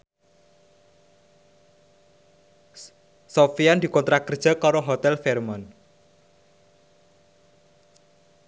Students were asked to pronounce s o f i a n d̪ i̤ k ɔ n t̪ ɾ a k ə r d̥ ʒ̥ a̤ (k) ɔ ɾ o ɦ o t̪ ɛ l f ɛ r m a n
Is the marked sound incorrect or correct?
correct